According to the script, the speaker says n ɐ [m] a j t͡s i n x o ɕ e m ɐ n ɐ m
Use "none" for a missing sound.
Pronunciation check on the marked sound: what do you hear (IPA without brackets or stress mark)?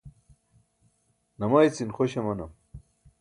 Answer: m